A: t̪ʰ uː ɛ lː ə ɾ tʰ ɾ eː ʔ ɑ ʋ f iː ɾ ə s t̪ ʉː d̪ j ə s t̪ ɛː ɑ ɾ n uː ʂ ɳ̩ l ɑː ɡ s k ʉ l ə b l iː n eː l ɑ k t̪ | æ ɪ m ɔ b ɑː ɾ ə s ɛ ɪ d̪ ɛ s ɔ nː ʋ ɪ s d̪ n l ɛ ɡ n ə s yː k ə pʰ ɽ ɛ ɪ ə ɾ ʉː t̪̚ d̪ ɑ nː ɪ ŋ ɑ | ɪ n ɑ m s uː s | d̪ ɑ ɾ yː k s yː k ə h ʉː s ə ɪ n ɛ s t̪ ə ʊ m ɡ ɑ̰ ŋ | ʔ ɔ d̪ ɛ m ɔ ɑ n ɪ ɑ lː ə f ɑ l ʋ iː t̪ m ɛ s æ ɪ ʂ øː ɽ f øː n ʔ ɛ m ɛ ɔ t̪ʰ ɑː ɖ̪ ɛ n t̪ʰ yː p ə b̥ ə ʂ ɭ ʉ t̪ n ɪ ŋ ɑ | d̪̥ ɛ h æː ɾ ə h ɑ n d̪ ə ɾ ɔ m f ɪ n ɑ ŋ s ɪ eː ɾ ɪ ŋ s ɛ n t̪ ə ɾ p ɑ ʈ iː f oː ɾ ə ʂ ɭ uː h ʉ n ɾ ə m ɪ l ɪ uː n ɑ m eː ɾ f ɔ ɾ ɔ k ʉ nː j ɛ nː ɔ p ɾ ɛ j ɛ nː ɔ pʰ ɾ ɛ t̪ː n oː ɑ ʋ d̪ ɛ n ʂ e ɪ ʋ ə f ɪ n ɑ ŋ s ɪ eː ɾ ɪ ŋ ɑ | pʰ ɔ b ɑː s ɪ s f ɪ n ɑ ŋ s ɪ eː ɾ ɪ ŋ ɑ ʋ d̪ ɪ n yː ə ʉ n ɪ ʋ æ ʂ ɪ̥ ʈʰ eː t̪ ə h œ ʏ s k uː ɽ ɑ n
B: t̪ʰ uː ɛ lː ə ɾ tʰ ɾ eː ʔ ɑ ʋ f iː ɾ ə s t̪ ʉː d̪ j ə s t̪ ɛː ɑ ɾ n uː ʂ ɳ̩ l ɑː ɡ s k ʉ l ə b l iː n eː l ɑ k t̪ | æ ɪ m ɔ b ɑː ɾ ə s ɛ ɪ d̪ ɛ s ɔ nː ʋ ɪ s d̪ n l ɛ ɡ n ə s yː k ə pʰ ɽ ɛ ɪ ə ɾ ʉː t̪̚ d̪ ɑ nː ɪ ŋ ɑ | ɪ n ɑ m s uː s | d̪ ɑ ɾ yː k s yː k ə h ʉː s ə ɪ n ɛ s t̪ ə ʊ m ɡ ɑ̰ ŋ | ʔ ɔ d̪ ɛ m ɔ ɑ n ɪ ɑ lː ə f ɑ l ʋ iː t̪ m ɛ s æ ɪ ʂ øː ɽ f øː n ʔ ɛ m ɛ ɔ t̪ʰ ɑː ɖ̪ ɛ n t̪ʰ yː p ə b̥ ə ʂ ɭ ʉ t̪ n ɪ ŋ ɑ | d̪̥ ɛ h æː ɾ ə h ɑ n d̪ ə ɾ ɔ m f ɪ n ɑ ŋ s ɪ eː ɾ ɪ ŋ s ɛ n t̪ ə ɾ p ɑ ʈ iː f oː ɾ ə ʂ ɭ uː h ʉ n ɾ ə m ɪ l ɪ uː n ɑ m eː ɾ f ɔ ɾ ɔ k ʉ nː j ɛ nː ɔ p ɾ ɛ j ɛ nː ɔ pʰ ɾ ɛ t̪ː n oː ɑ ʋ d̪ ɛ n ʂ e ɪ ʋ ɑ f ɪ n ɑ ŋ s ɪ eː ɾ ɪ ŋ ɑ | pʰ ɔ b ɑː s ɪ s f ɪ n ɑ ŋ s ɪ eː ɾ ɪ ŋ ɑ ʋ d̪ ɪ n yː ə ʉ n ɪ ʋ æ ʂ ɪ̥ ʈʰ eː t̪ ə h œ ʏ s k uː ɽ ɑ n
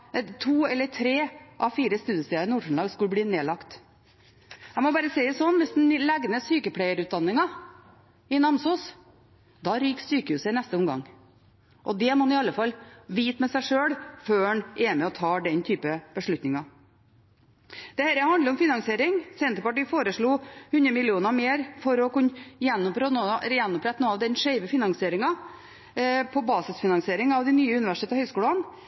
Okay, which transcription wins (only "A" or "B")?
A